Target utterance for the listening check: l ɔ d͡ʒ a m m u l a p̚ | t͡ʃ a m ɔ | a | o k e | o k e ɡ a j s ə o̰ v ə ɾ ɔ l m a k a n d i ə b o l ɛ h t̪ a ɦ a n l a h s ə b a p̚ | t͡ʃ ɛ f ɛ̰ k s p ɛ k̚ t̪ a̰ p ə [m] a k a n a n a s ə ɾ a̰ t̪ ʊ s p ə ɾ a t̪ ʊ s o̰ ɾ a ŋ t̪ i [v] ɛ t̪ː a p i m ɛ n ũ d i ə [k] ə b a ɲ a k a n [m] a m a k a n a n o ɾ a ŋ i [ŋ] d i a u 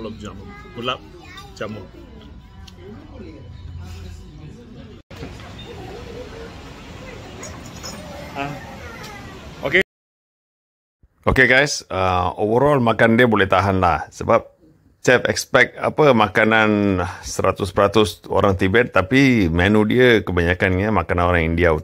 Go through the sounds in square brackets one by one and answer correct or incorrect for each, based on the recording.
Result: correct, incorrect: b, correct, incorrect: ɲ, incorrect: n

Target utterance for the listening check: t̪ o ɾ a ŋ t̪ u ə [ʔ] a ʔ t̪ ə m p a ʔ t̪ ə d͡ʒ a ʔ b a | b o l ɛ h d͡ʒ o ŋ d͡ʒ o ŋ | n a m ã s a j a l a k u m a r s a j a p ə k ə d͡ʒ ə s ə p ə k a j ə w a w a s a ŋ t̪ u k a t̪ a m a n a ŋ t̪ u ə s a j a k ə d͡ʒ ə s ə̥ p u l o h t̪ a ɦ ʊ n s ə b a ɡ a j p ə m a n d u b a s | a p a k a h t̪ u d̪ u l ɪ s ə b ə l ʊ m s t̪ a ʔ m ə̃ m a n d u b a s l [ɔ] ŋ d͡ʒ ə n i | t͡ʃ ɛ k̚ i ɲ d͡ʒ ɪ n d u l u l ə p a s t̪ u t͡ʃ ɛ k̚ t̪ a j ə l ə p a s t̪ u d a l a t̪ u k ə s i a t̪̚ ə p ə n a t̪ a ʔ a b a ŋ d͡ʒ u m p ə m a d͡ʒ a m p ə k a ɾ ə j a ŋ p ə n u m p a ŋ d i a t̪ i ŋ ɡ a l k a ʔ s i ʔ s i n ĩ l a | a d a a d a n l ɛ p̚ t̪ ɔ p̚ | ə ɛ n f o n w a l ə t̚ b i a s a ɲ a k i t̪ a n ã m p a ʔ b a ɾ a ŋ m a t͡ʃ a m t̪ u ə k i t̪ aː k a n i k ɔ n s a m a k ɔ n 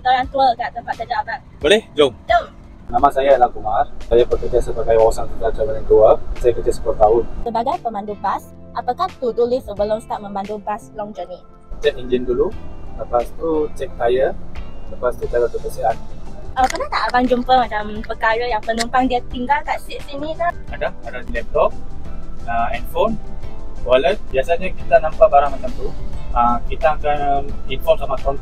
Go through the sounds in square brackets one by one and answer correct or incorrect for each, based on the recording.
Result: incorrect: k, correct

